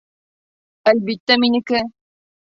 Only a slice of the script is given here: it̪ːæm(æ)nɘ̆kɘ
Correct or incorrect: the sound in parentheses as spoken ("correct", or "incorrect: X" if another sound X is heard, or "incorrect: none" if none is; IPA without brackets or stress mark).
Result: incorrect: i